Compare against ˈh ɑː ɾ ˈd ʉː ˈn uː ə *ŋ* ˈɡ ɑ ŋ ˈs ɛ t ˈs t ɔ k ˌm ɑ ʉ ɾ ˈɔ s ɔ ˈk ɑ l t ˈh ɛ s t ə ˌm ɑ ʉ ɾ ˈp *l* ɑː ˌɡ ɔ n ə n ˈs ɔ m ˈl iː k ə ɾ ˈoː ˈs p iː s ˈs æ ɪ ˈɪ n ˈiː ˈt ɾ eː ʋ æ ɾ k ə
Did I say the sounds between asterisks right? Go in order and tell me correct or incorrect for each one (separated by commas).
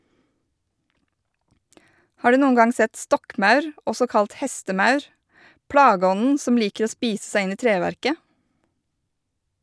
incorrect, incorrect